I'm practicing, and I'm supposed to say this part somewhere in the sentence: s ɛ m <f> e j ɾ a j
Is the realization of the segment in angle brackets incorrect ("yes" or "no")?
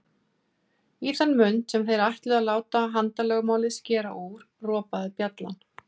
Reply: yes